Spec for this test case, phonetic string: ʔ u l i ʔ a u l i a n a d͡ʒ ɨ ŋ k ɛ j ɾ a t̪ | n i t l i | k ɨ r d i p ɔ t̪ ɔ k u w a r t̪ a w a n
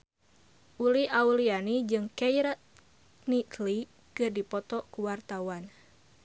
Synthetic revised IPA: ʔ u l i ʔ a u l i a n i d͡ʒ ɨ ŋ k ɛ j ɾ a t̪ | n i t l i | k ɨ r d i p ɔ t̪ ɔ k u w a r t̪ a w a n